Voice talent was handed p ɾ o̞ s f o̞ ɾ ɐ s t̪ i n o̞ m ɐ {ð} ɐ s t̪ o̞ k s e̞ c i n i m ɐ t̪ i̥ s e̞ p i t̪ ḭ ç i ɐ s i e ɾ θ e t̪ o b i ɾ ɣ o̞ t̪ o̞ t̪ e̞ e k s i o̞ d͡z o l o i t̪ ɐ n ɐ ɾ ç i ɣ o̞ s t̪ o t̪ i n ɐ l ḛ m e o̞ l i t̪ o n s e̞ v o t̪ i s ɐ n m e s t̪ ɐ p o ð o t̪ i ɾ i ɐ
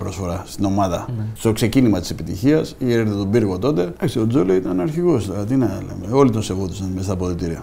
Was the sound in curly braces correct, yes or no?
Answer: yes